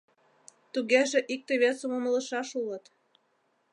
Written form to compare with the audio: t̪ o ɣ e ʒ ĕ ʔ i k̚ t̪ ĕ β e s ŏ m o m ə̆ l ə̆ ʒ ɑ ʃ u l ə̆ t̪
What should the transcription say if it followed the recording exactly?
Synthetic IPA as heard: t̪ u ɣ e ʒ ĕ ʔ i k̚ t̪ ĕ β e s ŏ m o m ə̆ l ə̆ ʃ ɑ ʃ u l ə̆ t̪

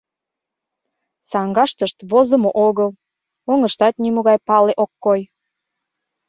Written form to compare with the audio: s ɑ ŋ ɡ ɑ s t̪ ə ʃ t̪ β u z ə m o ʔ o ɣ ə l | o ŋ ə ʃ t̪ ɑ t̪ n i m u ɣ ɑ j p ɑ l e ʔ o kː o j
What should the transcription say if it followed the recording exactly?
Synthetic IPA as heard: s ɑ ŋ ɡ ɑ ʃ t̪ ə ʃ t̪ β o z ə m o ʔ o ɣ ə l | o ŋ ə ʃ t̪ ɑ t̪ n i m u ɣ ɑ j p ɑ l e ʔ o kː o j

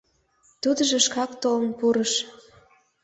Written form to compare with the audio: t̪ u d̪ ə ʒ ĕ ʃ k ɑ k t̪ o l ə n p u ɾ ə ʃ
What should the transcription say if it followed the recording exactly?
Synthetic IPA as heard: t̪ u d̪ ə ʒ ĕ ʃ k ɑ k t̪ o l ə n p u ɾ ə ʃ

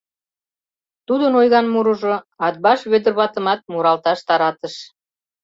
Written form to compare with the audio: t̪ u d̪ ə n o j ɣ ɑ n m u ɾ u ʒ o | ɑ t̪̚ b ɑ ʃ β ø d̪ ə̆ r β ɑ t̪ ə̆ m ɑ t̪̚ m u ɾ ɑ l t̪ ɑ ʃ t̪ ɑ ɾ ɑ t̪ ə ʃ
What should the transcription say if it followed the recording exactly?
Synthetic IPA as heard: t̪ u d̪ ə n o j ɣ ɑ n m u ɾ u ʒ o | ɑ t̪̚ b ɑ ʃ β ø d̪ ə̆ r β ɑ t̪ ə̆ m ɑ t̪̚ m u ɾ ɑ l t̪ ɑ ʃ t̪ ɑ ɾ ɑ t̪ ə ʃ

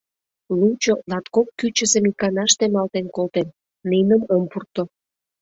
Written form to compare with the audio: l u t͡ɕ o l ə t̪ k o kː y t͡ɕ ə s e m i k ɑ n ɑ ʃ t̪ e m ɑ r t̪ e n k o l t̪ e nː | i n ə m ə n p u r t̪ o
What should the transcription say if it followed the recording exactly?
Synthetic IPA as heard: l u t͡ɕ o l ɑ t̪ k o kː y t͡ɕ ə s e m i k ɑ n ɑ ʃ t̪ e m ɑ l t̪ e n k o l t̪ e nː | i n ə m ə m p u r t̪ o

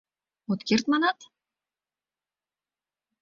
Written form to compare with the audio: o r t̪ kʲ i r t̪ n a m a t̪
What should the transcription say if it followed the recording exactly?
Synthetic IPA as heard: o t̪ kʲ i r t̪ m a n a t̪

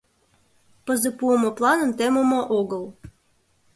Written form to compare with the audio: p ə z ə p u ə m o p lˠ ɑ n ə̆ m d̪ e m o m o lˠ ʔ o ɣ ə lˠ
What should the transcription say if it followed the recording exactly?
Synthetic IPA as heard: p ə z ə p u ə m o p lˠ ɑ n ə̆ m t̪ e m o m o ʔ o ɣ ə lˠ

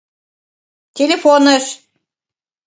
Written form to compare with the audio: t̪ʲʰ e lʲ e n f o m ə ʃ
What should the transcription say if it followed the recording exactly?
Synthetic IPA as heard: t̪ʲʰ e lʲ e f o n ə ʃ

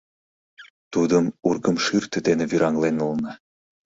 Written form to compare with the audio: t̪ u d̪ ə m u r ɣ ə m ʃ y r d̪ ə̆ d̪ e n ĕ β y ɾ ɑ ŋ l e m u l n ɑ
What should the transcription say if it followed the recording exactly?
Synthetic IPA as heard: t̪ u d̪ ə m u r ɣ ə m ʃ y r t̪ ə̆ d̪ e n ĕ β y ɾ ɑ ŋ l e n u l n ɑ

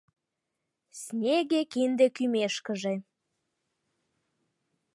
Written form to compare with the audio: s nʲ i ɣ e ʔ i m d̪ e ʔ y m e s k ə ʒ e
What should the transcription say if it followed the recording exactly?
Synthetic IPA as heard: s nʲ e ɣ e k i n d̪ e k y m e ʃ k ə ʒ e

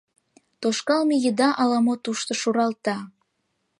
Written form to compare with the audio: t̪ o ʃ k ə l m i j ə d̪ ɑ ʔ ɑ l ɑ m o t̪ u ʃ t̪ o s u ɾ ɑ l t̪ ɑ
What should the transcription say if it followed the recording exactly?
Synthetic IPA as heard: t̪ o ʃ k ɑ l m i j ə d̪ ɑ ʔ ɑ l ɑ m o t̪ u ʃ t̪ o ʃ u ɾ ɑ l t̪ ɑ

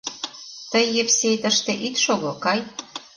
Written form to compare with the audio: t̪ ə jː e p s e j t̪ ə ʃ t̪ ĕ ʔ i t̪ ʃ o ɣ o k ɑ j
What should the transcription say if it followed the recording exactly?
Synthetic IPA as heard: t̪ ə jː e p s e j t̪ ə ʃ t̪ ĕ ʔ i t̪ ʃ o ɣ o k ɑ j

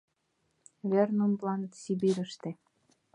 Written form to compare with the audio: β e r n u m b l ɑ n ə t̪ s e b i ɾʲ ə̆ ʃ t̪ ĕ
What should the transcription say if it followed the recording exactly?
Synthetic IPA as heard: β e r n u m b l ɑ n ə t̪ s i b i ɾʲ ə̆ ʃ t̪ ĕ

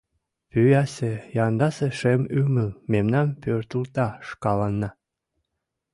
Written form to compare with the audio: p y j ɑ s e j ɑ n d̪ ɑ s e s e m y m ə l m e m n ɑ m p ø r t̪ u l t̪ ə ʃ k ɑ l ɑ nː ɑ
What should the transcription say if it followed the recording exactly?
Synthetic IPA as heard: p y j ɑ s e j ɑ n d̪ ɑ s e ʃ e m y m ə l m e m n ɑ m p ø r t̪ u l t̪ ɑ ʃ k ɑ l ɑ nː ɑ

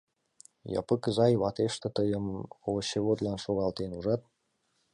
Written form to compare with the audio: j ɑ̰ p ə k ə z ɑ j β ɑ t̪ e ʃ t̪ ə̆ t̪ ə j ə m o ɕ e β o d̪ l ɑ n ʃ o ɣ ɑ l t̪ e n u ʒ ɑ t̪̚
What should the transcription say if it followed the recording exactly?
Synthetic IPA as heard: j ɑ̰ p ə k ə z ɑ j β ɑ t̪ e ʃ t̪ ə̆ t̪ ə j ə m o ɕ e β o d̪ l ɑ n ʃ o ɣ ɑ l t̪ e n u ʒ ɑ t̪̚

